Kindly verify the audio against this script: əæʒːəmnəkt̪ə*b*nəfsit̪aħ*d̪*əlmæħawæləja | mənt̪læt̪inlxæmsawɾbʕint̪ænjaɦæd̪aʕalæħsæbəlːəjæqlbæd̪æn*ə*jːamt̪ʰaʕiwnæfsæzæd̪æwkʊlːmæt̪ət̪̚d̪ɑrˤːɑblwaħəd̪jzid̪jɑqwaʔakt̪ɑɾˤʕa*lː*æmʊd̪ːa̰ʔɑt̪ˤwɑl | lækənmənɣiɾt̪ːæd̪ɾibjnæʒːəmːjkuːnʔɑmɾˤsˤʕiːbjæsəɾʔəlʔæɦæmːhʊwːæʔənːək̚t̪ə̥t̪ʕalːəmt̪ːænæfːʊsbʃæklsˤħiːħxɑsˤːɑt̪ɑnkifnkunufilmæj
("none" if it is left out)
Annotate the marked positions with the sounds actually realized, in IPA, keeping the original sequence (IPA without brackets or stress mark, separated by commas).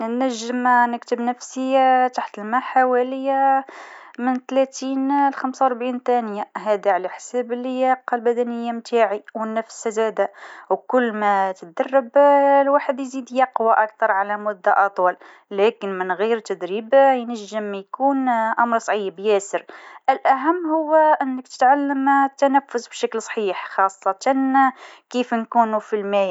b, t̪, ə, l